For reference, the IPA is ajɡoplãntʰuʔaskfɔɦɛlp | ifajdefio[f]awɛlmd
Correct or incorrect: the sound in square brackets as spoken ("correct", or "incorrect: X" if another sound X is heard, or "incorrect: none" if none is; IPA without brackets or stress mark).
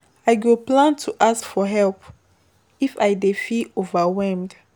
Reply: incorrect: v